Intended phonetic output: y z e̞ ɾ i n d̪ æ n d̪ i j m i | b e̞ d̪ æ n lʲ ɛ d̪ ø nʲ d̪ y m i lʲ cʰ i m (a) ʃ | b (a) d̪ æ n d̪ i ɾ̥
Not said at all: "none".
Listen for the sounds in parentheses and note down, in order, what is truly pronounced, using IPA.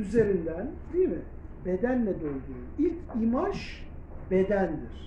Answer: a, e

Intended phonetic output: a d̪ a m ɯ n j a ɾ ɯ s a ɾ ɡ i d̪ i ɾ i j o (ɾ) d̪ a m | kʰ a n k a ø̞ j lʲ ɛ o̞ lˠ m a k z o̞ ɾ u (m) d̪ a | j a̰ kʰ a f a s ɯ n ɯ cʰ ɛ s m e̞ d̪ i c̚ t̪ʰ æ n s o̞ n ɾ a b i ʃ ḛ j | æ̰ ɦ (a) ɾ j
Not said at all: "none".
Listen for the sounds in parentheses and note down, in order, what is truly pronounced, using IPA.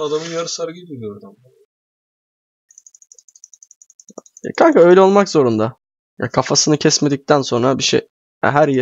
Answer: ɾ, n, æ

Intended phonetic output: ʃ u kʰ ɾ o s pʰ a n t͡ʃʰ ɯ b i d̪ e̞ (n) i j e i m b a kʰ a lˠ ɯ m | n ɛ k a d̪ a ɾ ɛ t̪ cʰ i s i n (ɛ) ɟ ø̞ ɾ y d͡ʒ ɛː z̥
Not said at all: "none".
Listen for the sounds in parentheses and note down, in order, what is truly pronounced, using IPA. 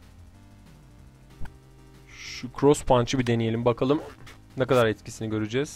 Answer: n, i

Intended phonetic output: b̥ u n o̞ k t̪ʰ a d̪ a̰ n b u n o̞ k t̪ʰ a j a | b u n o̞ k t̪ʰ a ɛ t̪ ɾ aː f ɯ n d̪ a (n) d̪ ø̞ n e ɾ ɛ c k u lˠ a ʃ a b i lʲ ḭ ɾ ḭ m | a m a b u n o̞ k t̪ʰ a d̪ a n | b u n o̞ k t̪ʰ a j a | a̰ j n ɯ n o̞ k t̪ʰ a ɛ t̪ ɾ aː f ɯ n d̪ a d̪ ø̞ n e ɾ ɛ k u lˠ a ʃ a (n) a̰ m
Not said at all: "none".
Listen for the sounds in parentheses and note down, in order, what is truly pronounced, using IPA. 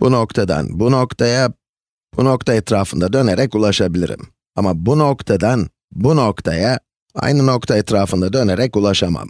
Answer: none, m

